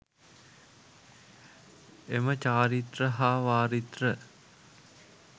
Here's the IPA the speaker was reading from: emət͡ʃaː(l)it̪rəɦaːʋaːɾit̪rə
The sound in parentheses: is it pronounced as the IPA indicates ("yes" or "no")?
no